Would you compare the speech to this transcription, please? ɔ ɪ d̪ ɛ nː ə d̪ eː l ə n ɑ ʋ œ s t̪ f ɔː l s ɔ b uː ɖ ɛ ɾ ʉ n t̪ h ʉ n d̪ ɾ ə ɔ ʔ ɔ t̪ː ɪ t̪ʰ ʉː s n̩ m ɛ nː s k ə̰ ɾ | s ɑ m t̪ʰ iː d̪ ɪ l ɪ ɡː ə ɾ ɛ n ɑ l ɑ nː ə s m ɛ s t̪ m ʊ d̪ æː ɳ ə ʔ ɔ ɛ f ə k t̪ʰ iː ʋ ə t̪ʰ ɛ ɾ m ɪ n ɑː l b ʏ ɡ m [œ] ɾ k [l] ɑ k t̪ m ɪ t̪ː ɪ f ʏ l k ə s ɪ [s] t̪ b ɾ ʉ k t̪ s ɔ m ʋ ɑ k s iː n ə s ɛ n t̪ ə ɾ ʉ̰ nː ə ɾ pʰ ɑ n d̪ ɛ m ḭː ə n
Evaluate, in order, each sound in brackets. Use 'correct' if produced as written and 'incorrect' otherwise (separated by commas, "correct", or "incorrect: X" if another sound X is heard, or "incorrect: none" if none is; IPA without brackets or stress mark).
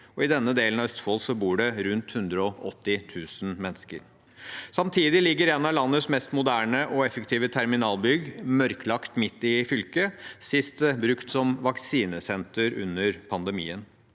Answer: correct, correct, correct